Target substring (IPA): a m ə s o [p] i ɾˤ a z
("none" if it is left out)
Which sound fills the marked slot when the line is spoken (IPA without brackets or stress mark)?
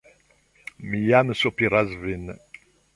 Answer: p